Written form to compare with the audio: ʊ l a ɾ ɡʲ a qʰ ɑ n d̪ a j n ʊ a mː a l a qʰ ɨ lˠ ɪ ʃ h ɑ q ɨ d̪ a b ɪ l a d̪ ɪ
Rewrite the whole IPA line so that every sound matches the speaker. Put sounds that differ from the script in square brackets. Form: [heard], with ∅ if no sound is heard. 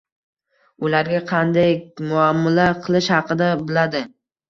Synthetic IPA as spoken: ʊ l a ɾ ɡʲ a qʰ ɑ n d̪ a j [m] ʊ a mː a l a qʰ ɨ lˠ ɪ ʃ h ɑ q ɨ d̪ a b ɪ l a d̪ ɪ

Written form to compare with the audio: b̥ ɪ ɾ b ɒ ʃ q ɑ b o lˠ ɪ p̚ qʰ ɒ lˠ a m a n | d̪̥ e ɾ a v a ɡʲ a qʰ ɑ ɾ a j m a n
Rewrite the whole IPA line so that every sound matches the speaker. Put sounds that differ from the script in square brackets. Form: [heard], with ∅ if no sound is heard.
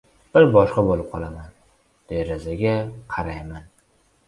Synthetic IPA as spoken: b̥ ɪ ɾ b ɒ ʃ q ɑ b o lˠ ɪ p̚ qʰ ɒ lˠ a m a n | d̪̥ e ɾ a [z] a ɡʲ a qʰ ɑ ɾ a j m a n

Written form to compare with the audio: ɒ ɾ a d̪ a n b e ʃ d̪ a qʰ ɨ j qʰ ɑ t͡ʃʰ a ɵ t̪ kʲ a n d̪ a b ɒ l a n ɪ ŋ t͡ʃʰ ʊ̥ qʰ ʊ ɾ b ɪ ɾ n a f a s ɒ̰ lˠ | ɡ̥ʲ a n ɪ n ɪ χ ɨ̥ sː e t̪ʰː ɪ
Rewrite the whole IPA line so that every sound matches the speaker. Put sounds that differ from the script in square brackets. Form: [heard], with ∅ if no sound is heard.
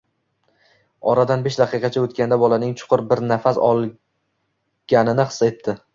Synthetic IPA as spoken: ɒ ɾ a d̪ a n b e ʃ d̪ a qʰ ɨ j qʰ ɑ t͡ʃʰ a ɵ t̪ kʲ a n d̪ a b ɒ l a n ɪ ŋ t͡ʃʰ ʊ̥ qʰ ʊ ɾ b ɪ ɾ n a f a s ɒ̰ lˠ | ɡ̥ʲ a n ɪ n ɪ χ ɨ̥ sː e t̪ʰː ɪ

